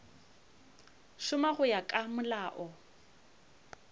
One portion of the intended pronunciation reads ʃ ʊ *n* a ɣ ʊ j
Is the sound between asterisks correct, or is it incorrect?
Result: incorrect